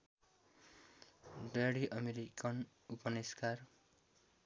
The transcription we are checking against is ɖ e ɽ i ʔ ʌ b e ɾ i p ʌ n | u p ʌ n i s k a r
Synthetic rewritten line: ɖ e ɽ i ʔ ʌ m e ɾ i k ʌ n | u p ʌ n i s k a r